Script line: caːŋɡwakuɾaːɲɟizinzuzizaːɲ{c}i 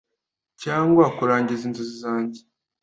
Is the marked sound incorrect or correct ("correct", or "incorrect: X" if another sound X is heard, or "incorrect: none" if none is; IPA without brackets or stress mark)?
incorrect: ɟ